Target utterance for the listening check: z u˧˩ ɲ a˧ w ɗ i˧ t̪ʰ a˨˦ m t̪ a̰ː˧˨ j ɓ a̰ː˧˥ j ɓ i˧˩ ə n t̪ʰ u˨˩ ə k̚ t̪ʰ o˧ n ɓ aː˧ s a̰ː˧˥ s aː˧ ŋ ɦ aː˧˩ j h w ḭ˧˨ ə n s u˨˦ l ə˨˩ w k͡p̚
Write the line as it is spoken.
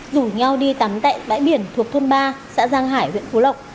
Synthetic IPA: z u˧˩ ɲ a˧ w ɗ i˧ t̪ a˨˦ m t̪ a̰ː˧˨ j ɓ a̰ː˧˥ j ɓ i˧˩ ə n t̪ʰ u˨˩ ə k̚ t̪ʰ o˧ n ɓ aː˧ s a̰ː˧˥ z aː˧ ŋ ɦ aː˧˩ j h w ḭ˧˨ ə n f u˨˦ l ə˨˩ w k͡p̚